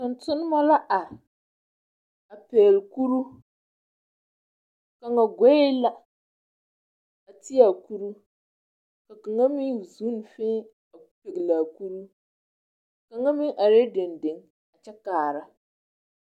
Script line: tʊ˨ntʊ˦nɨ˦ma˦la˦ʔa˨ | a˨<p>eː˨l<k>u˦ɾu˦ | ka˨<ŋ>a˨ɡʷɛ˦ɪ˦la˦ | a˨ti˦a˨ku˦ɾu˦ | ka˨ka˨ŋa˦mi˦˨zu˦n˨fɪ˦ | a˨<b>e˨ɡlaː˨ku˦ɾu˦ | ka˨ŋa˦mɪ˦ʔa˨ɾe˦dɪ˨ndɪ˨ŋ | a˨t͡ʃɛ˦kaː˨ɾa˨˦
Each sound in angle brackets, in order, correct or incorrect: correct, correct, correct, incorrect: p

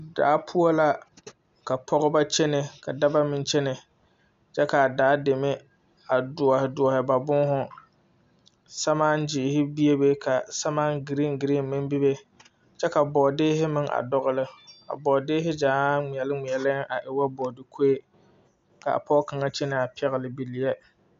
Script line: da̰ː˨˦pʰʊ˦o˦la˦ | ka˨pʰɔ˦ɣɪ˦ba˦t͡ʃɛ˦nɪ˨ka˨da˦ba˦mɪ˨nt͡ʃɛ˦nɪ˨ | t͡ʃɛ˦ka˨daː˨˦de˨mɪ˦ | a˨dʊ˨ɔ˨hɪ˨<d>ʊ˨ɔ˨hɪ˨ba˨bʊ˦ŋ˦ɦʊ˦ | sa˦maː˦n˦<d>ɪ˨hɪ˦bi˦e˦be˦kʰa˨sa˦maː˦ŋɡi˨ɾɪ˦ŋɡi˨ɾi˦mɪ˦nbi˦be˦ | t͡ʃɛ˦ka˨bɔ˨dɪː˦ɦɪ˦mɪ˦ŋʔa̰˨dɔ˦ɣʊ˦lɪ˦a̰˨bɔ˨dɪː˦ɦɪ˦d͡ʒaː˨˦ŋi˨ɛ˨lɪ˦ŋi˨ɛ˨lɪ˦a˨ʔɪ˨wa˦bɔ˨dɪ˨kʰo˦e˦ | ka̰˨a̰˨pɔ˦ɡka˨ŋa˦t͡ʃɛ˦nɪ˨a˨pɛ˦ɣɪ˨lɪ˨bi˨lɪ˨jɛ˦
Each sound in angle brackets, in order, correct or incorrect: correct, incorrect: d͡ʒ

